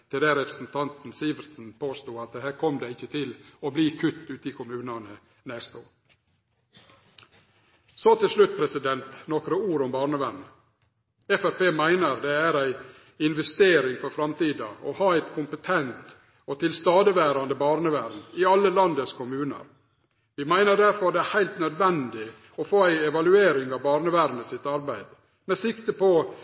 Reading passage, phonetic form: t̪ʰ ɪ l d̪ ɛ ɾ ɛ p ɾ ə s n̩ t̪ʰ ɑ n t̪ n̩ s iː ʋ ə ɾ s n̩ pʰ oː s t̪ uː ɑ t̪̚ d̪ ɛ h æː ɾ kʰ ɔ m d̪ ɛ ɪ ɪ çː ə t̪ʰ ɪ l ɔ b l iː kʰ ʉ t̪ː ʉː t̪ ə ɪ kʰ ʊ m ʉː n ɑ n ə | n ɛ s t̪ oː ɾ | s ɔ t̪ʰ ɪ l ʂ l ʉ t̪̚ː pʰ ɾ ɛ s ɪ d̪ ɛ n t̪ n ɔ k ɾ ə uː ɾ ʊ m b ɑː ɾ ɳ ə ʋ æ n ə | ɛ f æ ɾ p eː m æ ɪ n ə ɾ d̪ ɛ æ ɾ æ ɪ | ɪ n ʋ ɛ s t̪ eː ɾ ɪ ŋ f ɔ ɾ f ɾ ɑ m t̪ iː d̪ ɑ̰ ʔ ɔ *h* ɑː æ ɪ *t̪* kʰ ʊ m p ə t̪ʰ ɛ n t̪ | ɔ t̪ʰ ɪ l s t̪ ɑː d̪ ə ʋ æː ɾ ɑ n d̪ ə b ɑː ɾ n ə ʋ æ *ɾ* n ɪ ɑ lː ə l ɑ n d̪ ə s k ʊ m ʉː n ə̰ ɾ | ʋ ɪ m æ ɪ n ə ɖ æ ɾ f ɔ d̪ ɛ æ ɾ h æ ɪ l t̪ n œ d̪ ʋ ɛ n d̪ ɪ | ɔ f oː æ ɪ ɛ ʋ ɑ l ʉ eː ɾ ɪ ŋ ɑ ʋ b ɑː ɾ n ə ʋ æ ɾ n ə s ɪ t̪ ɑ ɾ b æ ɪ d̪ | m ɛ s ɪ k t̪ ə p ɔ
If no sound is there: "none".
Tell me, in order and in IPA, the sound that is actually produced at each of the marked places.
h, t̪, ɾ

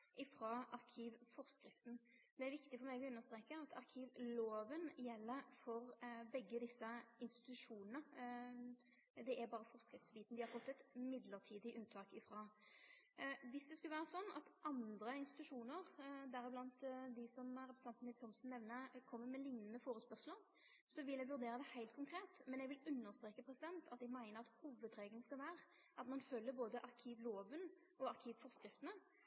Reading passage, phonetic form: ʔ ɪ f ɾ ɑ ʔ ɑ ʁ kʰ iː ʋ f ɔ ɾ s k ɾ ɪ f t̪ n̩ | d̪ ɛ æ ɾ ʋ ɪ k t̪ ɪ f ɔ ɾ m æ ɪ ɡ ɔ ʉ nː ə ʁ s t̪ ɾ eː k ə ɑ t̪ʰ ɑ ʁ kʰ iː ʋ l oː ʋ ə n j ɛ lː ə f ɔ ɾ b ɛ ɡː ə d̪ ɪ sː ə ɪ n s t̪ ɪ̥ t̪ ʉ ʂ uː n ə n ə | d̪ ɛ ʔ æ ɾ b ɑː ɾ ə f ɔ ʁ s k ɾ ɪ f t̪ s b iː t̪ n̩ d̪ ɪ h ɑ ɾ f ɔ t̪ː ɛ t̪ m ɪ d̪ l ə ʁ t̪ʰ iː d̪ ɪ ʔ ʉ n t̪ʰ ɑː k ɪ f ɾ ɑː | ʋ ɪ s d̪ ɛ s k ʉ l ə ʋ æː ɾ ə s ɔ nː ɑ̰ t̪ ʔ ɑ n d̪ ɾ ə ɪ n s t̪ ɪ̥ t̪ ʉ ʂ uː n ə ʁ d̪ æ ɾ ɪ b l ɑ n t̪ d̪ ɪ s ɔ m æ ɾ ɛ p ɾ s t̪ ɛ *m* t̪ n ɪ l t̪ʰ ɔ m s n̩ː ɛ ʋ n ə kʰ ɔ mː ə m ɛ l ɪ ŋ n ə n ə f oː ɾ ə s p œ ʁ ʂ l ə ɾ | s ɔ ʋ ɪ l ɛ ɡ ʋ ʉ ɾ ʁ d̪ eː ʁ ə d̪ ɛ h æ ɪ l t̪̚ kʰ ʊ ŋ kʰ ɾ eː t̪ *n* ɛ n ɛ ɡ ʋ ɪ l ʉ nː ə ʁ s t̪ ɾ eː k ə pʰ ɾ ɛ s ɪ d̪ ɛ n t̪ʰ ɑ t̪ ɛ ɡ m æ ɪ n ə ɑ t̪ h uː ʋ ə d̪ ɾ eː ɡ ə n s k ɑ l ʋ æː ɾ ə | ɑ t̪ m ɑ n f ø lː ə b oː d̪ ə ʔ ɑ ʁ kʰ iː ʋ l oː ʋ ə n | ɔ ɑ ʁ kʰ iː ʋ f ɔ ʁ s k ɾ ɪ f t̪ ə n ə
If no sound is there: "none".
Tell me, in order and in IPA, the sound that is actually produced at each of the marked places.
n, m

